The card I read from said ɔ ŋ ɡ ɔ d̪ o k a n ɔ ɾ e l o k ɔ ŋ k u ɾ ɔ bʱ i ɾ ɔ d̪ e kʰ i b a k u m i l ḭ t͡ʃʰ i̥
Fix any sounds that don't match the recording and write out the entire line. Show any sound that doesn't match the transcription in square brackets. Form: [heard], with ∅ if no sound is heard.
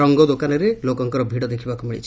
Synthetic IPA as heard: ɔ ŋ ɡ ɔ d̪ o k a n ɔ ɾ e l o k ɔ ŋ k [ɔ] ɾ ɔ bʱ i [ɽ] ɔ d̪ e kʰ i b a k u m i [ɭ] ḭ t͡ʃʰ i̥